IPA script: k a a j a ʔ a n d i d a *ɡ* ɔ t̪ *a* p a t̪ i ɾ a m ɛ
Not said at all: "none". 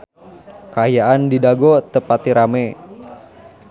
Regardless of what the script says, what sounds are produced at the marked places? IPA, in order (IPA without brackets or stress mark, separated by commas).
ɡ, ə